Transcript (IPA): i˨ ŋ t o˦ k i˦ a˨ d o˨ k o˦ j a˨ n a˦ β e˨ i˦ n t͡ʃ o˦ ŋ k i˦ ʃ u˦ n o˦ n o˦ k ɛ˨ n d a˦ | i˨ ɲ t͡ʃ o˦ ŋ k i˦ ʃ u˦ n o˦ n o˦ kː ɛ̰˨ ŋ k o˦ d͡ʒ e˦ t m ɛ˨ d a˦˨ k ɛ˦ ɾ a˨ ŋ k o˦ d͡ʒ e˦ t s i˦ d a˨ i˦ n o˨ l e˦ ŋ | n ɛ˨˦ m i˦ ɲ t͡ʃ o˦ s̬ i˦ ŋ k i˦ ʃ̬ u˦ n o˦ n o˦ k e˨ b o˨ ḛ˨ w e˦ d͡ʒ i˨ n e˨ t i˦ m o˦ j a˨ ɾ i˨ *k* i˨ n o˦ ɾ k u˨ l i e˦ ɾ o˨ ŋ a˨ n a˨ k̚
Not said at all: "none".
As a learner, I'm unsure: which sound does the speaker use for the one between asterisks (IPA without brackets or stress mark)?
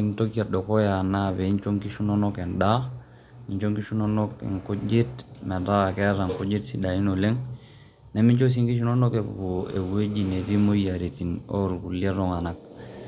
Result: t